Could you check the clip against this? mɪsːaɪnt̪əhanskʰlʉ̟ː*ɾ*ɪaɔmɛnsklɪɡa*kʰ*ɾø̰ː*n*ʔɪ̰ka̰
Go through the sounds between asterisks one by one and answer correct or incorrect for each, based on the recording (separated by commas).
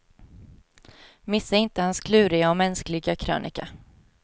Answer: correct, correct, correct